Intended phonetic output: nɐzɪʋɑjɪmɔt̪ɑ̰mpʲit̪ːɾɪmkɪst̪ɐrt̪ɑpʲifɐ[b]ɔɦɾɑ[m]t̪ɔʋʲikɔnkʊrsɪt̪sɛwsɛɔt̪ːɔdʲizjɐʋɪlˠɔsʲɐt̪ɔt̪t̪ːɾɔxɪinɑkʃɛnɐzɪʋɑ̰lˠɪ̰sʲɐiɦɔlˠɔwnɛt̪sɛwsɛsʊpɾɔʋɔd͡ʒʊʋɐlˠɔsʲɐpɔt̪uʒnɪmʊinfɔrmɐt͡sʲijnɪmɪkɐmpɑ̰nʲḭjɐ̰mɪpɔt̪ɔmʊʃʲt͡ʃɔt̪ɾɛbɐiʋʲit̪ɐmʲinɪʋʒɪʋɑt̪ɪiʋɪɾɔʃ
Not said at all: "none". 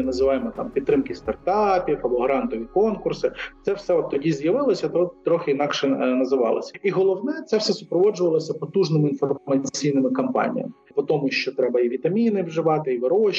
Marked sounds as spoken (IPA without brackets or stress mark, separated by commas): b, n